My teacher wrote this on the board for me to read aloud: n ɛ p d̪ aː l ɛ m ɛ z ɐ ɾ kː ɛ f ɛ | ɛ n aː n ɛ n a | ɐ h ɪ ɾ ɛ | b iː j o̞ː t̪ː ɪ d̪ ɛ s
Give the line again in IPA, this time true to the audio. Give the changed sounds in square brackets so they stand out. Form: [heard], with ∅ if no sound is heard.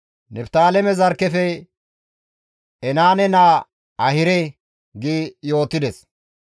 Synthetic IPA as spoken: n ɛ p [t̪] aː l ɛ m ɛ z ɐ ɾ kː ɛ f ɛ | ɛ n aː n ɛ n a | ɐ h ɪ ɾ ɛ | [ɡ] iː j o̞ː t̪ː ɪ d̪ ɛ s